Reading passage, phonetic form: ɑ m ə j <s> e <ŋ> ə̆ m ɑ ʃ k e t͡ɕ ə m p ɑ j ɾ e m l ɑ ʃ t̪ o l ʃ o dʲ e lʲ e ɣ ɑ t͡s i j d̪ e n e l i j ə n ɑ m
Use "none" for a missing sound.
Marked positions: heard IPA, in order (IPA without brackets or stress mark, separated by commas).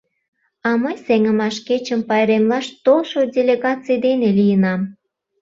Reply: s, ŋ